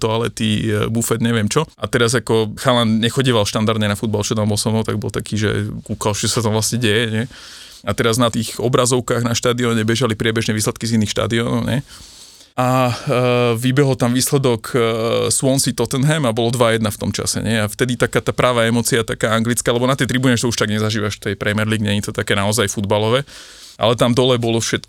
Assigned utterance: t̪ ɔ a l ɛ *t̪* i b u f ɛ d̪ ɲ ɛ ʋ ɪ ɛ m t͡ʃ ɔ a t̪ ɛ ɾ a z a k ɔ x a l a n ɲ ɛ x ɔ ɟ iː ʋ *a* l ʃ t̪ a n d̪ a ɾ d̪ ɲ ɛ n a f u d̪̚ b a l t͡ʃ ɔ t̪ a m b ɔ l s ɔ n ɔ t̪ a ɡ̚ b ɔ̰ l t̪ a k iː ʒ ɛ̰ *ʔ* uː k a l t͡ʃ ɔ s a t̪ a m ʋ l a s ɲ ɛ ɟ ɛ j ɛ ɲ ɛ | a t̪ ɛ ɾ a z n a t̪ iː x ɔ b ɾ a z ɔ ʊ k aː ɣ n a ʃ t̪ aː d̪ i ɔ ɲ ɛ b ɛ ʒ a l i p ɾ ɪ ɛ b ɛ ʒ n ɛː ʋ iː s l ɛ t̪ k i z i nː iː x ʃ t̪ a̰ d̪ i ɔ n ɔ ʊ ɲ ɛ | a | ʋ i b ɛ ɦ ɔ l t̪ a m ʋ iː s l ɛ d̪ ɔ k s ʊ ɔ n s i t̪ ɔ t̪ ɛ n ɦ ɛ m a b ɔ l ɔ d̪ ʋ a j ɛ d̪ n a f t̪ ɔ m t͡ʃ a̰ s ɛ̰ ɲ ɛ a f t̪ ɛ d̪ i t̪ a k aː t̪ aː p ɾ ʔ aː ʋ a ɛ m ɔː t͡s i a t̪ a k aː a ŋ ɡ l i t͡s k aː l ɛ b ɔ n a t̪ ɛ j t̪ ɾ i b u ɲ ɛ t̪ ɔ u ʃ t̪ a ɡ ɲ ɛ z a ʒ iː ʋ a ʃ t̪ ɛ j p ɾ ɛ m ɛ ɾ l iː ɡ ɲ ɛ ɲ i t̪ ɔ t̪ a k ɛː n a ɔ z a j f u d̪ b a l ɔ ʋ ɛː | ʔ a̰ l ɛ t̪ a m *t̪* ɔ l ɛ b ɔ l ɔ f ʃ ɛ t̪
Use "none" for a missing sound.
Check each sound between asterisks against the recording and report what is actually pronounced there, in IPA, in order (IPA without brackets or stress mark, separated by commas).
t̪, a, k, d̪